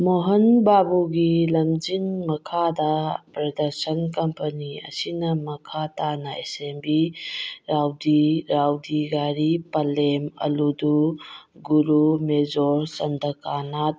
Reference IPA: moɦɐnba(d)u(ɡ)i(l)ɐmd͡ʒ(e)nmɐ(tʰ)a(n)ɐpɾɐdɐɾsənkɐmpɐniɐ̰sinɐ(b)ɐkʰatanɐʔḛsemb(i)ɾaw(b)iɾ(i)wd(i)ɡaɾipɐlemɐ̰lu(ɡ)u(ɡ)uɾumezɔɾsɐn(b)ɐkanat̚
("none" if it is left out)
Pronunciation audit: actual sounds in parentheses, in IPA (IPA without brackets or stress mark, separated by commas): b, ɡ, l, i, kʰ, d, m, i, d, a, i, d, ɡ, d